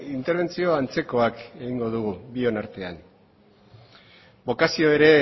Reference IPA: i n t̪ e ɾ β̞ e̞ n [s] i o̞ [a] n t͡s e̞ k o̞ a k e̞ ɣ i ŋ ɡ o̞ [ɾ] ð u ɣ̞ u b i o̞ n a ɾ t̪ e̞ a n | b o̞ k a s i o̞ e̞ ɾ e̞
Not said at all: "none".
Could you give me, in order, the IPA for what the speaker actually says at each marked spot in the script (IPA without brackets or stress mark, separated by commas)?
t͡s, a, none